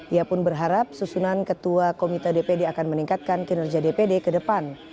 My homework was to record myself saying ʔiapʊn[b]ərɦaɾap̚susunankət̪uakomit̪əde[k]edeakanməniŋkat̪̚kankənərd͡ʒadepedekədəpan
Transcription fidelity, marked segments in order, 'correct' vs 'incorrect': correct, incorrect

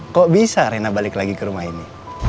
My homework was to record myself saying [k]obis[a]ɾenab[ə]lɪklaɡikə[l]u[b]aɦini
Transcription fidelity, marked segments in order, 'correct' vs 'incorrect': correct, correct, incorrect, incorrect, incorrect

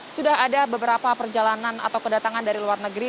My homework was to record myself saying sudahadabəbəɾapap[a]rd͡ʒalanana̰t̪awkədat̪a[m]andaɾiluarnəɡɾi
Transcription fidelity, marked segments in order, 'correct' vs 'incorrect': incorrect, incorrect

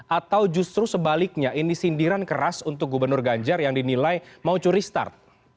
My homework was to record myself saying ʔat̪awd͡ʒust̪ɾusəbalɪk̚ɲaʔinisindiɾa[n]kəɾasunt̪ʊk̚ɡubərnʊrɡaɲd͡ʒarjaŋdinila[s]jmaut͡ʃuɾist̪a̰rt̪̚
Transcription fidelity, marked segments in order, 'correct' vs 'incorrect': correct, incorrect

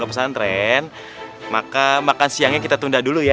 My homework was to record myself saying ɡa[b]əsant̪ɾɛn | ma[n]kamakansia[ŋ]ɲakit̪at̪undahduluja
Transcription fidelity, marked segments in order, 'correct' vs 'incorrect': incorrect, incorrect, correct

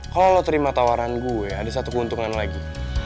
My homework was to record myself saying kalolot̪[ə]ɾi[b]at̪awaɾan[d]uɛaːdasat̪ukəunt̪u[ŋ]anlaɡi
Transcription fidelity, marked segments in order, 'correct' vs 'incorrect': correct, incorrect, incorrect, correct

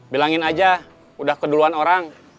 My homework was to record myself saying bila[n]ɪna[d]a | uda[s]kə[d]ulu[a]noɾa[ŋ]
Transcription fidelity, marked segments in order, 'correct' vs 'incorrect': incorrect, incorrect, incorrect, correct, correct, correct

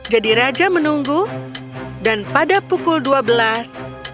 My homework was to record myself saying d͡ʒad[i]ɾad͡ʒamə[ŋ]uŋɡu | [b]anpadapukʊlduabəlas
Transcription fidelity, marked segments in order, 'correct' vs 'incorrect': correct, incorrect, incorrect

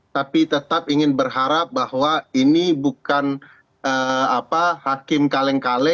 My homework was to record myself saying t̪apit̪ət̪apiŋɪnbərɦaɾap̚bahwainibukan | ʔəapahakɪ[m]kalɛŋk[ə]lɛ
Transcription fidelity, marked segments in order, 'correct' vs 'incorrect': correct, incorrect

